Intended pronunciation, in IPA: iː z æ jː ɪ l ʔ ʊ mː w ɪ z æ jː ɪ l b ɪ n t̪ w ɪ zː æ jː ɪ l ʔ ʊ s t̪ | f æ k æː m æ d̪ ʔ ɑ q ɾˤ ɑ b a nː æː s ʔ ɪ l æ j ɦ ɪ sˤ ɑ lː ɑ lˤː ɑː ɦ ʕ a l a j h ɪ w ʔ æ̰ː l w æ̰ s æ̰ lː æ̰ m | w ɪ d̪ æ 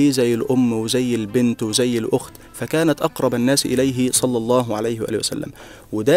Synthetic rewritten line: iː z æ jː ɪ l ʔ ʊ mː w ɪ z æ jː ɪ l b ɪ n t̪ w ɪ z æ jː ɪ l ʔ ʊ x t̪ | f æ k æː n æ t̪ ʔ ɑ q ɾˤ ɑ b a nː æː s ʔ ɪ l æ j ɦ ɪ sˤ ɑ lː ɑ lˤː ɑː ɦ ʕ a l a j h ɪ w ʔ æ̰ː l w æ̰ s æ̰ lː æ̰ m | w ɪ d̪ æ

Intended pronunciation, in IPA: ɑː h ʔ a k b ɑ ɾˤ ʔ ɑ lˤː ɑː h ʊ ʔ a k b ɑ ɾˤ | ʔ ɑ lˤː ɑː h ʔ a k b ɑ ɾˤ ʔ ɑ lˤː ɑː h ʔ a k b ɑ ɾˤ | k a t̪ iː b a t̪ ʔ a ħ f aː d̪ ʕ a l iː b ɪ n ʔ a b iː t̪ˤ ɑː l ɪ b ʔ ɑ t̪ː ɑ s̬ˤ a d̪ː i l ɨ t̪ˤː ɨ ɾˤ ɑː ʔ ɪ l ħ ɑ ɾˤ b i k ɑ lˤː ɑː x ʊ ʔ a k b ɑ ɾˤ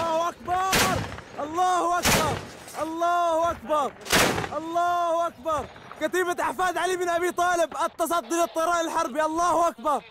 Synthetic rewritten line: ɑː h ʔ a k b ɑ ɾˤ ʔ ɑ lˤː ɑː h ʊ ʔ a k b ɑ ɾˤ | ʔ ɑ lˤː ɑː h ʔ a k b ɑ ɾˤ ʔ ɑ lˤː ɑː h ʔ a k b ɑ ɾˤ | k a t̪ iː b a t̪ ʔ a ħ f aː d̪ ʕ a l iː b ɪ n ʔ a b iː t̪ˤ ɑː l ɪ b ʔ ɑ t̪ː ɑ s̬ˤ ɑ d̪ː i l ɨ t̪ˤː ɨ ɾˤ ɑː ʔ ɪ l ħ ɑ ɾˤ b i ʔ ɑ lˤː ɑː h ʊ ʔ a k b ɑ ɾˤ

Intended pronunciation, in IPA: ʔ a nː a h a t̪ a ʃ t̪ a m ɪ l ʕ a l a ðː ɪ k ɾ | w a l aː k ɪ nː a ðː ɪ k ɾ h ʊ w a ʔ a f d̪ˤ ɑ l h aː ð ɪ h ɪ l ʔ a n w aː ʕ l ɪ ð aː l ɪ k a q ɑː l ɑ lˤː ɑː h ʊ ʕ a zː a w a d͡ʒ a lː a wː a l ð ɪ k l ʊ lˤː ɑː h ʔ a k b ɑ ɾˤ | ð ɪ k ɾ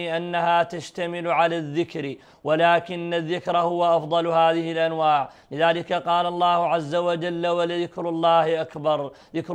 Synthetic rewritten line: ʔ a nː a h a t̪ a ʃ t̪ a m ɪ l ʕ a l a ðː ɪ k ɾ | w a l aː k ɪ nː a ðː ɪ k ɾ h ʊ w a ʔ ɑ f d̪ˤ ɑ l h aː ð ɪ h ɪ l ʔ a n w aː ʕ l ɪ ð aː l ɪ k a q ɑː l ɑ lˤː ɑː h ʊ ʕ a zː a w a d͡ʒ a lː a w a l ð ɪ k ɾ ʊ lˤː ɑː h ʔ a k b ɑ ɾˤ | ð ɪ k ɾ

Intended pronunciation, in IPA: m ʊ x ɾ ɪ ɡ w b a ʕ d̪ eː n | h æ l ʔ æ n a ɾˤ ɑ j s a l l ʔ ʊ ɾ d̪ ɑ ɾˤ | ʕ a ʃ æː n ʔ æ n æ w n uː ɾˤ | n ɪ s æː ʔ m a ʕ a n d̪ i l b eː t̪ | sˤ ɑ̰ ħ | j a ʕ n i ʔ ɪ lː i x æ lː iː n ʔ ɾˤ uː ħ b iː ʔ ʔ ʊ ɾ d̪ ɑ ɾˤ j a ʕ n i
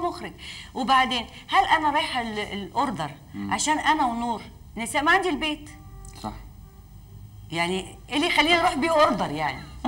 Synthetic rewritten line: m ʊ x ɾ ɪ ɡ w b a ʕ d̪ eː n | h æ l ʔ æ n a ɾˤ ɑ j ħ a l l ʔ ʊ ɾ d̪ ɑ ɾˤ | ʕ a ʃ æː n ʔ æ n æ w n uː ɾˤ | n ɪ s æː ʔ m a ʕ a n d̪ i l b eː t̪ | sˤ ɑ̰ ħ | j a ʕ n i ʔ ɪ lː i x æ lː iː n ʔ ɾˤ uː ħ b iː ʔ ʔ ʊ ɾ d̪ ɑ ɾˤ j a ʕ n i

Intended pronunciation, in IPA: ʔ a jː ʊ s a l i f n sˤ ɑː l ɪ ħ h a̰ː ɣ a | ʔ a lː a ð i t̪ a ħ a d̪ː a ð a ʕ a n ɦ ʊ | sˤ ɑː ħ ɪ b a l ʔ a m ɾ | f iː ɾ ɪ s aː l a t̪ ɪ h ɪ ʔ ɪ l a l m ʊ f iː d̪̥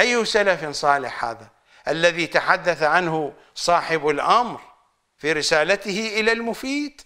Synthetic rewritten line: ʔ a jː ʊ s a l a f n sˤ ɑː l ɪ ħ h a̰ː ð a | ʔ a lː a ð i t̪ a ħ a d̪ː a θ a ʕ a n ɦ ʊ | sˤ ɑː ħ ɪ b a l ʔ a m ɾ | f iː ɾ ɪ s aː l a t̪ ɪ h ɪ ʔ ɪ l a l m ʊ f iː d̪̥

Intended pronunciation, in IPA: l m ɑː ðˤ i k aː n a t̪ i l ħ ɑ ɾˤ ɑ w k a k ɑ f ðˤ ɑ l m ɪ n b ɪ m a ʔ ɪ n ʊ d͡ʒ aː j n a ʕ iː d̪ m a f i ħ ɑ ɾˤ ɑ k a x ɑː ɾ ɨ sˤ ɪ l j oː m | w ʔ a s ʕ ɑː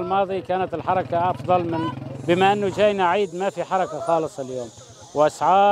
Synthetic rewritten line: l m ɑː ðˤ i k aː n a t̪ ɪ l ħ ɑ ɾˤ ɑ k a ʔ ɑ f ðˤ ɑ l m ɪ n b ɪ m a ʔ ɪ nː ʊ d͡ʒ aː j n a ʕ iː d̪ m a f i ħ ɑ ɾˤ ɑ k a x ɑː l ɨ sˤ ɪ l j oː m | w ʔ a s ʕ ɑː

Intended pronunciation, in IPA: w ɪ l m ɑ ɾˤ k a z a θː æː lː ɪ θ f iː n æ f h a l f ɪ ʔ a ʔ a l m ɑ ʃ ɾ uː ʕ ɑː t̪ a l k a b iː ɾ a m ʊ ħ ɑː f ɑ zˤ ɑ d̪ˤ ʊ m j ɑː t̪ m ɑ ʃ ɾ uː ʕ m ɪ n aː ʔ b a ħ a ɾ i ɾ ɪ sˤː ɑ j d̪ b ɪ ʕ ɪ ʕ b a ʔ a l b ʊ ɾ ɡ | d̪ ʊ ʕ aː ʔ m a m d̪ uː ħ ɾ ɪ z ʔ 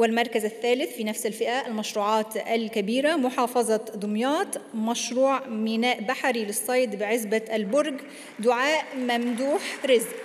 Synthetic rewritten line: w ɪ l m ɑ ɾˤ k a z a θː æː l ɪ θ f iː n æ f s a l f ɪ ʔ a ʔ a l m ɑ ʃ ɾ uː ʕ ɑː t̪ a l k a b iː ɾ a m ʊ ħ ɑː f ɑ zˤ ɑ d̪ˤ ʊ m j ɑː t̪ m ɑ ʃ ɾ uː ʕ m ɪ n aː ʔ b a ħ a ɾ i l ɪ sˤː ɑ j d̪ b ɪ ʕ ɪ z b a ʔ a l b ʊ ɾ ɡ | d̪ ʊ ʕ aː ʔ m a m d̪ uː ħ ɾ ɪ z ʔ

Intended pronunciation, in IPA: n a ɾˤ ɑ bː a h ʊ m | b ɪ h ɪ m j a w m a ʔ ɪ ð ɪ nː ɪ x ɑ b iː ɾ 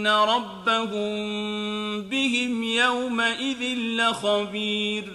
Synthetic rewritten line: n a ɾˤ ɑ bː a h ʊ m | b ɪ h ɪ m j a w m a ʔ ɪ ð ɪ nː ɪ x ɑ b iː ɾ

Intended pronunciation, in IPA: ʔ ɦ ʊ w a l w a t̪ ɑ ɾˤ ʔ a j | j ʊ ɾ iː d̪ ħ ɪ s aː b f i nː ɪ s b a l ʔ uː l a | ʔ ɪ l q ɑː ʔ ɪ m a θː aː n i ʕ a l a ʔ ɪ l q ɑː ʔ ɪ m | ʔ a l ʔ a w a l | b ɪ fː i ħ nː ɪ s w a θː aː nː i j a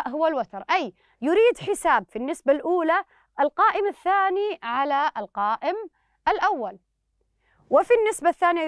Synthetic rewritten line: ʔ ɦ ʊ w a l w a t̪ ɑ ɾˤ ʔ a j | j ʊ ɾ iː d̪ ħ ɪ s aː b f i nː ɪ s b a l ʔ uː l a | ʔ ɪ l q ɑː ʔ ɪ m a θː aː n i ʕ a l a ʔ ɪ l q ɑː ʔ ɪ m | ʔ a l ʔ a wː a l | w ɪ f i nː ɪ s b a θː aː n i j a

